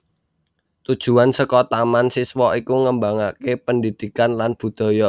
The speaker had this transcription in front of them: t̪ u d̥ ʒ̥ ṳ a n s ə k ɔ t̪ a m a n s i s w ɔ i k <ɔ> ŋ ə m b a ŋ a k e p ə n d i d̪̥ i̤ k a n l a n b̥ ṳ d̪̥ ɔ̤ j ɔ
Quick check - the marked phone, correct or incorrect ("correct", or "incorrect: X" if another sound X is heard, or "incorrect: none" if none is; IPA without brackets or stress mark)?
incorrect: u